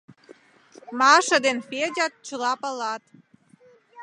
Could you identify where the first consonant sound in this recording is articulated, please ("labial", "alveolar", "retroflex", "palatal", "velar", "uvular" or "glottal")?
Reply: labial